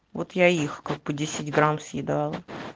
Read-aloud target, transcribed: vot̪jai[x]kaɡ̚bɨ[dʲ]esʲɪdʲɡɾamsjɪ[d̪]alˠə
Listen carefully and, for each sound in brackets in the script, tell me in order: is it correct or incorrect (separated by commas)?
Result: correct, correct, correct